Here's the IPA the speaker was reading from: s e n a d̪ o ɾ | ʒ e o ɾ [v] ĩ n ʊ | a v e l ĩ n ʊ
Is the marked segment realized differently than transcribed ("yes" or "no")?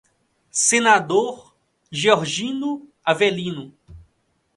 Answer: yes